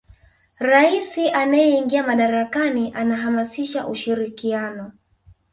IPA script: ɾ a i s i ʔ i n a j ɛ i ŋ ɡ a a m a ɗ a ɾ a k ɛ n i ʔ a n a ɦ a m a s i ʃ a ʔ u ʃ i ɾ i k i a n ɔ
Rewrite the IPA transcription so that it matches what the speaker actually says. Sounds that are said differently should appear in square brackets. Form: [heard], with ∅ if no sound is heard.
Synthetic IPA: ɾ a i s i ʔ [a] n a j ɛ i ŋ ɡ [i] a m a ɗ a ɾ a k [a] n i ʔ a n a ɦ a m a s i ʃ a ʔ u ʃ i ɾ i k i a n ɔ